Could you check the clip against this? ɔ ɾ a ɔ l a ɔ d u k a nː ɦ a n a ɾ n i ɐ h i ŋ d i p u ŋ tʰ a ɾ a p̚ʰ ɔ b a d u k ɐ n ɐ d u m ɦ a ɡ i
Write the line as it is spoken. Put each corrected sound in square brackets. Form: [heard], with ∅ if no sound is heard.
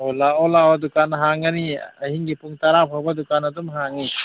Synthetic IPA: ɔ [l] a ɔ l a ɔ d u k a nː ɦ a [ŋ] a [∅] n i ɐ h i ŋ [ɡ] i p u ŋ [t] a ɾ a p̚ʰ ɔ b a d u k [a] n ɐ d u m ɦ a [ŋ] i